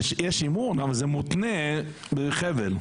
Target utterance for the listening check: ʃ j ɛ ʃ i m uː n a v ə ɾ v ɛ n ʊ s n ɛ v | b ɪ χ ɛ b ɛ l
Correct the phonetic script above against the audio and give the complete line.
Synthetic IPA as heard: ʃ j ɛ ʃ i m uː n a v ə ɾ z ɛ m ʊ t n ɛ | b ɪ χ ɛ v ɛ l